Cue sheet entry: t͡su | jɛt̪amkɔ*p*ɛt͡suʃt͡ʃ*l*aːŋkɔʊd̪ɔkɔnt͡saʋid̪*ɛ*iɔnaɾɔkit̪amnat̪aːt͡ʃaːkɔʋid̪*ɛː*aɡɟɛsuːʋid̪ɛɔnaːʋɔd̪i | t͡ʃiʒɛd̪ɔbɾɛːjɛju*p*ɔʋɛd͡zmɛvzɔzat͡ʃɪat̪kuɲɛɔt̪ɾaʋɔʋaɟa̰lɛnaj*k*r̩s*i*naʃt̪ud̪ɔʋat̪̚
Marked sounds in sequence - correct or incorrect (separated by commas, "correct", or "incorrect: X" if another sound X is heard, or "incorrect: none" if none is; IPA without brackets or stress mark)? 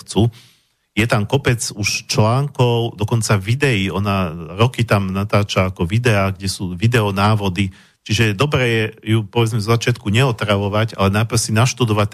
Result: correct, correct, correct, incorrect: ɛ, correct, incorrect: p, correct